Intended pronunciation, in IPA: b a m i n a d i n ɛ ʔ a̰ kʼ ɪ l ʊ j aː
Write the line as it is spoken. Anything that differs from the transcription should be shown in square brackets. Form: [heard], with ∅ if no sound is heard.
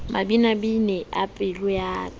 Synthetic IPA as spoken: [m] a [b] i n a [b] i n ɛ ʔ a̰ [pʼ] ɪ l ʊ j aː